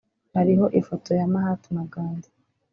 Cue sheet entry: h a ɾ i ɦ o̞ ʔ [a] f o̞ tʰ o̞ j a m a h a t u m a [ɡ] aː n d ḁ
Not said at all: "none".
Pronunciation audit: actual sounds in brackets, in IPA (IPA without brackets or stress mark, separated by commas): i, ɡ